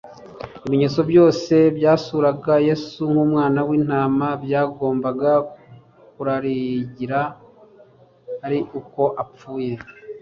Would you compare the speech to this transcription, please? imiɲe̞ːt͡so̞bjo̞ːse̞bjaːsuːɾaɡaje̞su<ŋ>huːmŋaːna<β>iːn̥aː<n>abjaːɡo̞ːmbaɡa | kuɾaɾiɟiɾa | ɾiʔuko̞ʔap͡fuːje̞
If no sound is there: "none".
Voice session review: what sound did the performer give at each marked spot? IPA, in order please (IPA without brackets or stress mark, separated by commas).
ŋ, w, m